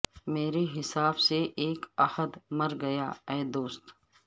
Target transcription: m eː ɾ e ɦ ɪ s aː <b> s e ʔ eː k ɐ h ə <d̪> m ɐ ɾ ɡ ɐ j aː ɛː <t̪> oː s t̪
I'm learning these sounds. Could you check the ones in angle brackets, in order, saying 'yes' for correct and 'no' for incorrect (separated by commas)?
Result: yes, yes, no